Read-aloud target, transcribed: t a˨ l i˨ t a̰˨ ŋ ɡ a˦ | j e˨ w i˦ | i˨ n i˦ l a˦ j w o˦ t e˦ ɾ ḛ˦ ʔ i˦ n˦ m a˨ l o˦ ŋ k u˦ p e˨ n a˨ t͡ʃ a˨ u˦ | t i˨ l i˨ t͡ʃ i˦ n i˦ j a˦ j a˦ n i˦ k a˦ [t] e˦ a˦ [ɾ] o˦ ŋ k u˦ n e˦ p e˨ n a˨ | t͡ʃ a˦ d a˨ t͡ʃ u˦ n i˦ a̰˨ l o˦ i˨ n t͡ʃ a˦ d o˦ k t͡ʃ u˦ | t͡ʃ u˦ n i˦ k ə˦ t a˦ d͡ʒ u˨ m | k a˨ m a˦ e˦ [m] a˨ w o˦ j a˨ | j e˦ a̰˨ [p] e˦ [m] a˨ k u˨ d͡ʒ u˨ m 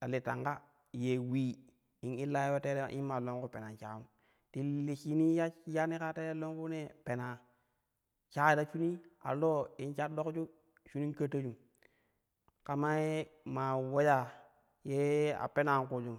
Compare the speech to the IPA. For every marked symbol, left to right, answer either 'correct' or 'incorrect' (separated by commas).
correct, incorrect, correct, correct, incorrect